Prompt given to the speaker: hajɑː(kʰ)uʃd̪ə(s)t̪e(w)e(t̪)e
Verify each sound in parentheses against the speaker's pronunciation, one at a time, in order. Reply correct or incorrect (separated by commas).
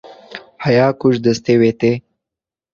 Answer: incorrect, correct, correct, correct